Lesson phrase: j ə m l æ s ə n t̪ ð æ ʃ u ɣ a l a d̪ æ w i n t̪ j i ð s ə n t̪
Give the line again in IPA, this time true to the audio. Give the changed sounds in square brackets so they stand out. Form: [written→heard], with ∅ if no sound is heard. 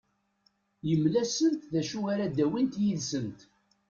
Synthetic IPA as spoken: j ə m l æ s ə n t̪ ð æ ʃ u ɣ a [l→ɾ] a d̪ æ w i n t̪ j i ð s ə n t̪